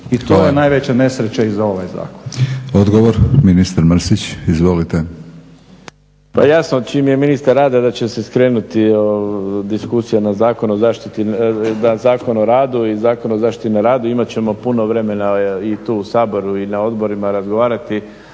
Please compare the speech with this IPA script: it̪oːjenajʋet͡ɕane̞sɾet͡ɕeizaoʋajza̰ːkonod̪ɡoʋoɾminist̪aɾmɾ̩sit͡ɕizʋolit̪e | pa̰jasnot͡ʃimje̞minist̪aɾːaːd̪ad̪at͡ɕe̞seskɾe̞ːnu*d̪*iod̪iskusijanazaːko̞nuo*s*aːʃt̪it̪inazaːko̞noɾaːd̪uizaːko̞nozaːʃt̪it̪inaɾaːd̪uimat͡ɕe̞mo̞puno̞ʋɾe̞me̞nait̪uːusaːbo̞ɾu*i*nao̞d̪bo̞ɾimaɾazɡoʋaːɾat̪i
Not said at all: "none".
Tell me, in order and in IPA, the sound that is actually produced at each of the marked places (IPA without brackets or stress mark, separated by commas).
t̪, z, i